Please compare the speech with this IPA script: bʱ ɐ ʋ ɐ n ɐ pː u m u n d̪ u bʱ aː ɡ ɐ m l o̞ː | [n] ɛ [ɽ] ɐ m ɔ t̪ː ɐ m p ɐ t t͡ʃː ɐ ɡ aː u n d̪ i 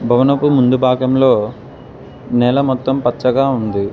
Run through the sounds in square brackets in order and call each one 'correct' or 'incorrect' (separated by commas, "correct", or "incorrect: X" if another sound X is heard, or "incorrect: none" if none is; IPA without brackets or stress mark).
correct, incorrect: l